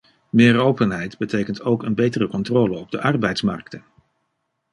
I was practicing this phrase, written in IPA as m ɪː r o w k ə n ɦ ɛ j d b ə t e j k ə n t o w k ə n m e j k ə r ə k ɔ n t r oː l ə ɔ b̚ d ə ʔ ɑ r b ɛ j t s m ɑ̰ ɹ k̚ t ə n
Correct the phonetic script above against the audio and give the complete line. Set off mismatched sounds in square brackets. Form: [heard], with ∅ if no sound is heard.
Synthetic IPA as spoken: m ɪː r o w [p] ə n ɦ ɛ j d b ə t e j k ə n t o w k ə n [b] e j [t] ə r ə k ɔ n t r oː l ə ɔ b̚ d ə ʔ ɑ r b ɛ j t s m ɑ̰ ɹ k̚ t ə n